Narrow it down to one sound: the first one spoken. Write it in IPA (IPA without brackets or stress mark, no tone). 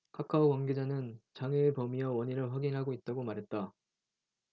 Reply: kʰ